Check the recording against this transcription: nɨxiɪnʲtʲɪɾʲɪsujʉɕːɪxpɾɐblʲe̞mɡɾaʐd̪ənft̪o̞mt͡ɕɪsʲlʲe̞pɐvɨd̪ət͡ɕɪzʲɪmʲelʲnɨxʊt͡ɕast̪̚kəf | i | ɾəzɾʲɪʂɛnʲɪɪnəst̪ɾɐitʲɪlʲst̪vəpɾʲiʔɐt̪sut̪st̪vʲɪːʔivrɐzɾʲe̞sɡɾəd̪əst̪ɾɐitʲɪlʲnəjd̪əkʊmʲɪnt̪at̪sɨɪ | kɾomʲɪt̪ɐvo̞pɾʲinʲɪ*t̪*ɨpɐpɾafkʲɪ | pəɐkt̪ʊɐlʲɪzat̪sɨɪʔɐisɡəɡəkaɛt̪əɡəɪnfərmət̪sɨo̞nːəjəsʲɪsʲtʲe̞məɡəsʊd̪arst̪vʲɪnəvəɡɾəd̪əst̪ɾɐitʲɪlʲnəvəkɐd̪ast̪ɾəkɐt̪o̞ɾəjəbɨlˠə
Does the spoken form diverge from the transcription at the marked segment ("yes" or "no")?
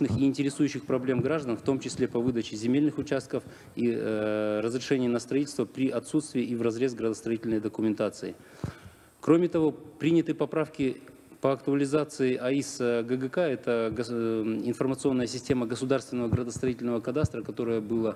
no